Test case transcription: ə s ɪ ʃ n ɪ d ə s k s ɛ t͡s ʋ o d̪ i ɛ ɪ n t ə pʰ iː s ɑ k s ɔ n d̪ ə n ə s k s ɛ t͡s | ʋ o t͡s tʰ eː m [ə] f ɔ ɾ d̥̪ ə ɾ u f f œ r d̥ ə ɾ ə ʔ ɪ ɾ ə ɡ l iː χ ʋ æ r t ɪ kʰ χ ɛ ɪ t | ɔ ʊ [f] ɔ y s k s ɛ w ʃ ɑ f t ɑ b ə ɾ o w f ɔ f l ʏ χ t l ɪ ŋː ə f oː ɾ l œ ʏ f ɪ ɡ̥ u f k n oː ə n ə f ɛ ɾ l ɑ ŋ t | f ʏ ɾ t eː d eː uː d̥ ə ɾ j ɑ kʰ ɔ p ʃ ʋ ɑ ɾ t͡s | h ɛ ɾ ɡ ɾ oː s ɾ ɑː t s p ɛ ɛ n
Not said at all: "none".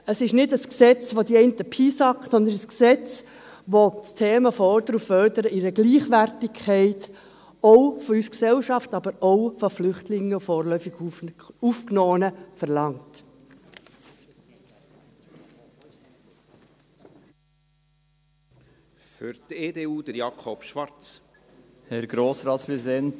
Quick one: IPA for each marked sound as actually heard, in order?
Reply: ə, f

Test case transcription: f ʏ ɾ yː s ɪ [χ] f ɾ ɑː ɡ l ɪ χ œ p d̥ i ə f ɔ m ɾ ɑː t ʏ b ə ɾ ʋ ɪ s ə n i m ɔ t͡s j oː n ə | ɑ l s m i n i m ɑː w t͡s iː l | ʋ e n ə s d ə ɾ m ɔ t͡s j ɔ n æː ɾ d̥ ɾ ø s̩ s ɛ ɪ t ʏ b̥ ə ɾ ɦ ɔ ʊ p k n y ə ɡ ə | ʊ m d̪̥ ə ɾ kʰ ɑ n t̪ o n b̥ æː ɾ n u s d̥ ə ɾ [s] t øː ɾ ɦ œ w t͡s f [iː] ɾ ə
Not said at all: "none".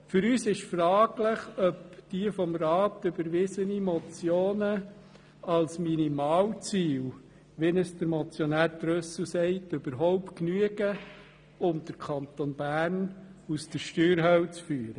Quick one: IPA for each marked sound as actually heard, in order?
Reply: ʃ, ʃ, yː

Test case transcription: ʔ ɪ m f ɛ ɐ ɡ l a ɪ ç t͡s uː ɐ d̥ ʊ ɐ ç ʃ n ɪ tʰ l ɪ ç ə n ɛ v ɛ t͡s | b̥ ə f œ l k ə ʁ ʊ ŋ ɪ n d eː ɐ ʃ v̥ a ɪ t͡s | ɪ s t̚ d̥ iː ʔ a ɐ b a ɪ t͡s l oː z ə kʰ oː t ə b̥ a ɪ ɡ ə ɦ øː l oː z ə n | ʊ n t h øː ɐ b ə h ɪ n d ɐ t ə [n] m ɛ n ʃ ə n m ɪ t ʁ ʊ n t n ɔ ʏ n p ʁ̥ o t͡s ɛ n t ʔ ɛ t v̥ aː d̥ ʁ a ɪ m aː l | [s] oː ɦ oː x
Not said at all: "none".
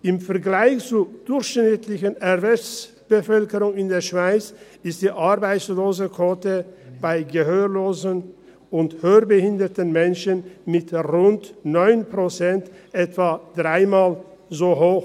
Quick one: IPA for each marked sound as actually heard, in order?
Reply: n, z

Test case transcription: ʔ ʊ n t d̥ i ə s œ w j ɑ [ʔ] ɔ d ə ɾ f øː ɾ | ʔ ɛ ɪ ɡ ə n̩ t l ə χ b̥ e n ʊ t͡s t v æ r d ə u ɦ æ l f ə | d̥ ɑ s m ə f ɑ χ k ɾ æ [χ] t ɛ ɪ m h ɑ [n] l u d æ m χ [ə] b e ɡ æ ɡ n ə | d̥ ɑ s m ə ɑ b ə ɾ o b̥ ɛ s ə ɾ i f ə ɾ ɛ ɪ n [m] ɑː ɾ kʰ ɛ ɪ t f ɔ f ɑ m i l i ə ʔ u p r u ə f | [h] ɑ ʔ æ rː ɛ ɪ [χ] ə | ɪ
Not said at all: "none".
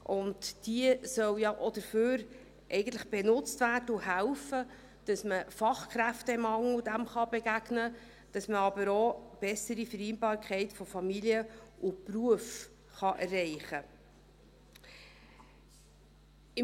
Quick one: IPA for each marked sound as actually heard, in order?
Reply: ʔ, f, ŋ, ɑ, b, χ, χ

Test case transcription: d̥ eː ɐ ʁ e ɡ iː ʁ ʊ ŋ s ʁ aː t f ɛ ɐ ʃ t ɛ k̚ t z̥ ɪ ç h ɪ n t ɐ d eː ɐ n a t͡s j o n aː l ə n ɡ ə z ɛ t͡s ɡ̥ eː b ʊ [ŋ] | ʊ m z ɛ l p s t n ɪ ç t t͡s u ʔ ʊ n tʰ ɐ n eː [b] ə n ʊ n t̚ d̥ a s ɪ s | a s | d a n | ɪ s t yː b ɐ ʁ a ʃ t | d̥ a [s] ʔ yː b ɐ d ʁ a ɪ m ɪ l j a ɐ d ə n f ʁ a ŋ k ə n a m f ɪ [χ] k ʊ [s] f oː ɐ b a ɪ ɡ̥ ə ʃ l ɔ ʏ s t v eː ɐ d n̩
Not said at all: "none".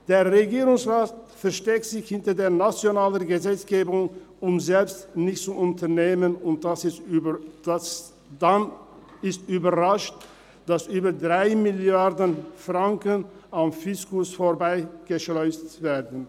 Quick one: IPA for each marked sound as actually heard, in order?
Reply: ŋ, m, s, s, s

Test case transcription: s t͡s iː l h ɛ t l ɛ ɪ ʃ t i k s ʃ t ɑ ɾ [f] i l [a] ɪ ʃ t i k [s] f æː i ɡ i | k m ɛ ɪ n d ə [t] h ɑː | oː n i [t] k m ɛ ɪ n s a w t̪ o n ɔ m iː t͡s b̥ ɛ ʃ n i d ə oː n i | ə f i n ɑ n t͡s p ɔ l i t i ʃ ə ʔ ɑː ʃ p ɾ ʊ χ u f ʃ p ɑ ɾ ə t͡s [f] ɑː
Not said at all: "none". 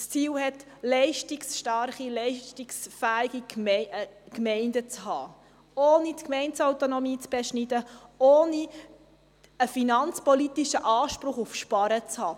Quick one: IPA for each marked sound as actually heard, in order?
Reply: χ, ɛ, s, t͡s, t, h

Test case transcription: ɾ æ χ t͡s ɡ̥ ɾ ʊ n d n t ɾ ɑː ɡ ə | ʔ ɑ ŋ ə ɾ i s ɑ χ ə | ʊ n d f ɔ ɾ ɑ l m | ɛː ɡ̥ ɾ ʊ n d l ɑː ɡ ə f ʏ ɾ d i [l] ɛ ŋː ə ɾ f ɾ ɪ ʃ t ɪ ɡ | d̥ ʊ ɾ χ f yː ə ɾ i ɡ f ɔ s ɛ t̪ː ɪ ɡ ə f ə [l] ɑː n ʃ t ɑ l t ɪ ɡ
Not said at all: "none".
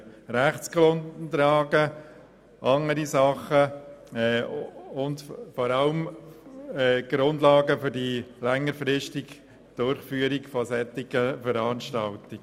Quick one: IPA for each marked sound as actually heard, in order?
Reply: l, ɾ

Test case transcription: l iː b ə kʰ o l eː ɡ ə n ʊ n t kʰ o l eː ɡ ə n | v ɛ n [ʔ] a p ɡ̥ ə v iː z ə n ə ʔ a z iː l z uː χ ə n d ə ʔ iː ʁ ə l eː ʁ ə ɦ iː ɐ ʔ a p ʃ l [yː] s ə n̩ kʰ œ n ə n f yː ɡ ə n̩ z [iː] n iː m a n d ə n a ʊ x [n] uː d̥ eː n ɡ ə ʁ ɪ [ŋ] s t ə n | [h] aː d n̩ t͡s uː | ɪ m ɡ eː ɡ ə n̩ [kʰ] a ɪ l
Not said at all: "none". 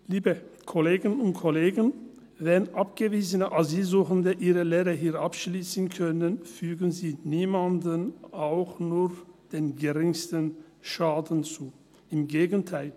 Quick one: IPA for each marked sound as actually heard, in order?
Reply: ʔ, iː, iː, n, ŋ, ʃ, tʰ

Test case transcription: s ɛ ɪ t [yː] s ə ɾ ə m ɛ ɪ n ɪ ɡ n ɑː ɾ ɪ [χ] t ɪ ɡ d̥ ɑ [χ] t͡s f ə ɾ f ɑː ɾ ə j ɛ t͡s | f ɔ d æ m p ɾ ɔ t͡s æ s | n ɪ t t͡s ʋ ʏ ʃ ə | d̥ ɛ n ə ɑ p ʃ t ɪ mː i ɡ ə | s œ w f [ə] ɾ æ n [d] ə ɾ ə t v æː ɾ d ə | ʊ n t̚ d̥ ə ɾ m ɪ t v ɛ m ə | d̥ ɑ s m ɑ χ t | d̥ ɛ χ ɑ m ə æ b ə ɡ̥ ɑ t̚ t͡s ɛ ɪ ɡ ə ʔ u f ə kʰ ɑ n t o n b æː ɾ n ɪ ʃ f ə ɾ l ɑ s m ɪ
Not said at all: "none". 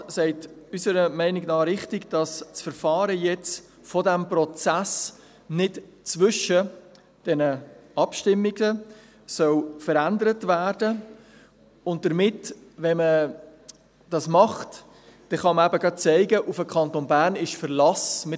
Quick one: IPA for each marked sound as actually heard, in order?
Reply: y, χ, s, ə, d

